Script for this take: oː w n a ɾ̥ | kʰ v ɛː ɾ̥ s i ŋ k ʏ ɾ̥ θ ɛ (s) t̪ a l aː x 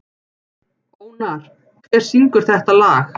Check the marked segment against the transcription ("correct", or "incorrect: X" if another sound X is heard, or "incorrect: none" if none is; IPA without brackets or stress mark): incorrect: h